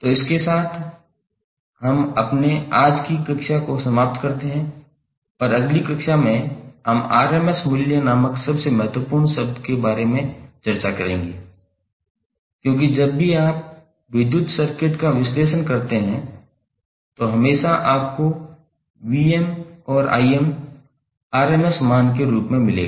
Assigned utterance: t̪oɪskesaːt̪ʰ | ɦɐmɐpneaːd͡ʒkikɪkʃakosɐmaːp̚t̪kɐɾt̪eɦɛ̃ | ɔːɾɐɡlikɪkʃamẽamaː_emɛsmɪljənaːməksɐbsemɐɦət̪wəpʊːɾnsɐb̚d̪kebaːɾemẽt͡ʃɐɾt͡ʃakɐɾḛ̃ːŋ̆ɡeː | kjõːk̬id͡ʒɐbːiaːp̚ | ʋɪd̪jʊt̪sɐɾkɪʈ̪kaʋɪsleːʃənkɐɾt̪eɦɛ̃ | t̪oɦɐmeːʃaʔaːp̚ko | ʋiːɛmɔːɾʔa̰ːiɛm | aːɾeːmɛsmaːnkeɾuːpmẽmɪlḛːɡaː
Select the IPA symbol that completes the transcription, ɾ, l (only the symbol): ɾ